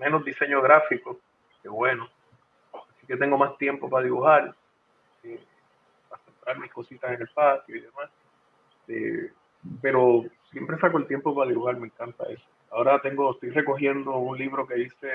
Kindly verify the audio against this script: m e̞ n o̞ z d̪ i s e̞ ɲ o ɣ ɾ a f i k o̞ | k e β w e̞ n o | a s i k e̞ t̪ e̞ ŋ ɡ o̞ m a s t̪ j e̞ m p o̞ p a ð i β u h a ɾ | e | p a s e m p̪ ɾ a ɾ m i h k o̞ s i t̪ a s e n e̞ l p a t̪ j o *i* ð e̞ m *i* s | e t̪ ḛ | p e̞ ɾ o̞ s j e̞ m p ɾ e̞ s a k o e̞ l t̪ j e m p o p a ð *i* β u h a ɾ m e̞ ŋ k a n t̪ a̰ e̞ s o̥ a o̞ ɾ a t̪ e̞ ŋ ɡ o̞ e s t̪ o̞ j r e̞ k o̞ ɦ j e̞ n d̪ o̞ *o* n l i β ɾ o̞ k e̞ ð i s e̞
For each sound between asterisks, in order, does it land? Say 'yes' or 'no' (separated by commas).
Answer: yes, no, yes, no